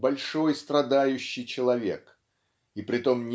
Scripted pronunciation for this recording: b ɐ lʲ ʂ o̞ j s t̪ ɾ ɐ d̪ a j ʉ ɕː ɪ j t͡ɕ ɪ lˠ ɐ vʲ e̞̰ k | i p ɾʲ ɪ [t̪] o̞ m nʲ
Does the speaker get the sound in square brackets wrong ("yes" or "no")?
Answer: no